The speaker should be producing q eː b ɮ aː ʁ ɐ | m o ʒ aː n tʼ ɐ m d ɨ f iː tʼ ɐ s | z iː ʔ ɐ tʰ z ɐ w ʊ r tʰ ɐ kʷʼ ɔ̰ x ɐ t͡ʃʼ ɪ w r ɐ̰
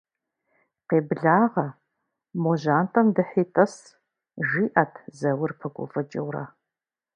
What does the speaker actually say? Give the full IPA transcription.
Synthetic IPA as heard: q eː b ɮ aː ʁ ɐ | m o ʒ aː n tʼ ɐ m d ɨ ħ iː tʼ ɐ s | ʒ iː ʔ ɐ tʰ z ɐ w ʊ r pʰ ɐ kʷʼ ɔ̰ f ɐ t͡ʃʼ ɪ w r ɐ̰

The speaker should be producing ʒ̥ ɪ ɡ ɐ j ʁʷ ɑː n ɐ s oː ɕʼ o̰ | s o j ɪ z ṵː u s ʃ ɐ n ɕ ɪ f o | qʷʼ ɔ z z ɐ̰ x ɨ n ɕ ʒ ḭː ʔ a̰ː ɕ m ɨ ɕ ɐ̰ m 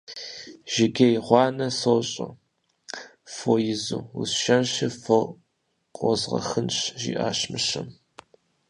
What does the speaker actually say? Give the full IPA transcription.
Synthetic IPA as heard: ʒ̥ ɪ ɡ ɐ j ʁʷ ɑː n ɐ s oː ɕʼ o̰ | f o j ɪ z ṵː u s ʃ ɐ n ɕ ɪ f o | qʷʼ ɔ z ʁ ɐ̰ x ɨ n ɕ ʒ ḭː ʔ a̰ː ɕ m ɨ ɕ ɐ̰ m

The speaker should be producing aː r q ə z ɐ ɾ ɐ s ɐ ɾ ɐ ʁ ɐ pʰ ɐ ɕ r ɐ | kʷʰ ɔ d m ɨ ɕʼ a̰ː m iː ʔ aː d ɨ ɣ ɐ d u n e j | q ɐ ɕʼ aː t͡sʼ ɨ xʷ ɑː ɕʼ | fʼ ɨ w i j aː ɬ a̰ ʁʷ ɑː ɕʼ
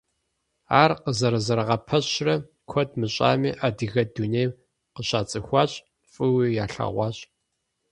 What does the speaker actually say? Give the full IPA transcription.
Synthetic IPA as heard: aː r q ə z ɐ ɾ ɐ z ɐ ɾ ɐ ʁ ɐ pʰ ɐ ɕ r ɐ | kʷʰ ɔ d m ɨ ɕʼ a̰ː m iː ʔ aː d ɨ ɣ ɐ d u n e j | q ə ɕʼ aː t͡sʼ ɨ xʷ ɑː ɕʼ | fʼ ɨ w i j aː ɬ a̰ ʁʷ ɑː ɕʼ

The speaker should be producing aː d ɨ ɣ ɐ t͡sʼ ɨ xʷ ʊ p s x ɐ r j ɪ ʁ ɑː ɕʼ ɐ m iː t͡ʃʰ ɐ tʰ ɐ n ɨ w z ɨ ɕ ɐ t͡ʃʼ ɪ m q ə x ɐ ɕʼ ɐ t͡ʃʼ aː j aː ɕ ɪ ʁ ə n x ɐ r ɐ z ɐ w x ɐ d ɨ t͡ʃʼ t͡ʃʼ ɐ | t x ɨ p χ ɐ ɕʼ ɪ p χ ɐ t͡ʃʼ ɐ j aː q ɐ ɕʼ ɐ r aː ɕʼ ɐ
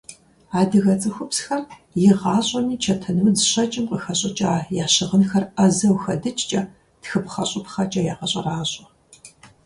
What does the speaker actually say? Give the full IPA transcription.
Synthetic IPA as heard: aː d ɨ ɣ ɐ t͡sʼ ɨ xʷ ʊ p s x ɐ r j ɪ ʁ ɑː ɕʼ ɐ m iː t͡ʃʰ ɐ tʰ ɐ n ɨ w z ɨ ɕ ɐ t͡ʃʼ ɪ m q ə x ɐ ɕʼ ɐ t͡ʃʼ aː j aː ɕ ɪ ʁ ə n x ɐ r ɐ z ɐ w x ɐ d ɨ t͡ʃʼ t͡ʃʼ ɐ | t x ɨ p χ ɐ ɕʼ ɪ p χ ɐ t͡ʃʼ ɐ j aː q ɐ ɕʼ ɐ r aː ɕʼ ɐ

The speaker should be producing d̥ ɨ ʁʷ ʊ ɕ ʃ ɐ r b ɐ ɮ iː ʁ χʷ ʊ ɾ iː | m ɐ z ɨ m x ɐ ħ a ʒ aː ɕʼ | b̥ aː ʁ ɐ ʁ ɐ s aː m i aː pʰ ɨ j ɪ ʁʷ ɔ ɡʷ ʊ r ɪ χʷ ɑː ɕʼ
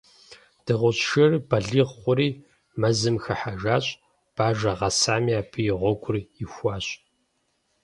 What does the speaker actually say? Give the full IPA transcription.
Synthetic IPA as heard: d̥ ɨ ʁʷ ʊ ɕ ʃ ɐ r b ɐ ɮ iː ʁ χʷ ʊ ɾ iː | m ɐ z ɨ m x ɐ ħ a ʒ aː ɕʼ | b̥ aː ʒ ɐ ʁ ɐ s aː m i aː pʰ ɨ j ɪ ʁʷ ɔ ɡʷ ʊ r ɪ xʷ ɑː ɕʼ

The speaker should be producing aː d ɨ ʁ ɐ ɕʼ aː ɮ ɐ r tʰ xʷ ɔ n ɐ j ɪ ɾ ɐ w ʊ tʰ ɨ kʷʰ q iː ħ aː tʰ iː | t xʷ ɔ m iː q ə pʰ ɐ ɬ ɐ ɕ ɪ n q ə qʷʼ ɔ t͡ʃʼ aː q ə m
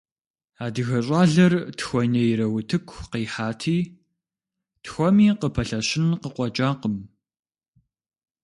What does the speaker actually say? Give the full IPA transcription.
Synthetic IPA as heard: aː d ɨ ɣ ɐ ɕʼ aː ɮ ɐ r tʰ xʷ ɔ n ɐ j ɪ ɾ ɐ w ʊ tʰ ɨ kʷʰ q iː ħ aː tʰ iː | t xʷ ɔ m iː q ə pʰ ɐ ɬ ɐ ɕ ɪ n q ə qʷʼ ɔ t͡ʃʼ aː q ə m

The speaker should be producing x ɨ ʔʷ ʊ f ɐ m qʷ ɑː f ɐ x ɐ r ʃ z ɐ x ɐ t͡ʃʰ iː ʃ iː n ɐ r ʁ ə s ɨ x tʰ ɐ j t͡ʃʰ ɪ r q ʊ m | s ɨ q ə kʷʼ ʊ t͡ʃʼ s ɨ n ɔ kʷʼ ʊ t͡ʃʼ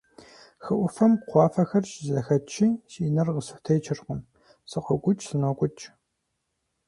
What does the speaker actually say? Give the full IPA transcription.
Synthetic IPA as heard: x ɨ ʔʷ ʊ f ɐ m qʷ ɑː f ɐ x ɐ r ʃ z ɐ x ɐ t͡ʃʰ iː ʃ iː n ɐ r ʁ ə s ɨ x tʰ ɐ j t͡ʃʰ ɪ r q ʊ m | s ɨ q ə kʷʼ ʊ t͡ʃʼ s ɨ n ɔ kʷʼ ʊ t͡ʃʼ

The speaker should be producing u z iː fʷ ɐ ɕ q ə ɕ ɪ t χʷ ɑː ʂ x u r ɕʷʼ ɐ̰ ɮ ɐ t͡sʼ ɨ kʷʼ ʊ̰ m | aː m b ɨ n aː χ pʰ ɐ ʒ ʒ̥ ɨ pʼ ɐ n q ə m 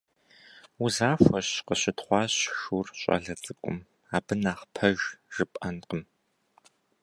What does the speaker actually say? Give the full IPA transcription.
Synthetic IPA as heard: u z aː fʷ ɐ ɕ q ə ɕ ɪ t χʷ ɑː ɕ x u r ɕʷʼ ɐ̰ ɮ ɐ t͡sʼ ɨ kʷʼ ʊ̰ m | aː b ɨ n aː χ pʰ ɐ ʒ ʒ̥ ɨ pʼ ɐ n q ə m

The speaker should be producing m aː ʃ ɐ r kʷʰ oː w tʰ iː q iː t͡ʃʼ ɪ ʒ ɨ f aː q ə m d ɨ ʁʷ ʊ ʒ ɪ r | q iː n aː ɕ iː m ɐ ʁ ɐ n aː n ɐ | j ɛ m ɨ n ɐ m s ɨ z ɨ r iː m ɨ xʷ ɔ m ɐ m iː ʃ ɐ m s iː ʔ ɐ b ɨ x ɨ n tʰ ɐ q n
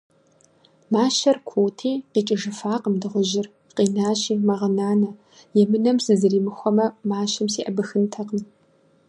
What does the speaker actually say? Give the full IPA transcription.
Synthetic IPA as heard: m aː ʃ ɐ r kʷʰ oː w tʰ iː q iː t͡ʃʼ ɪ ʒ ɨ f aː q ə m d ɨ ʁʷ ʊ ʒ ɪ r | q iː n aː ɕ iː m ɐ ʁ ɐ n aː n ɐ | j ɛ m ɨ n ɐ m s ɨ z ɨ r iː m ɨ xʷ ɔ m ɐ m aː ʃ ɐ m s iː ʔ ɐ b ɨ x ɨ n tʰ ɐ q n

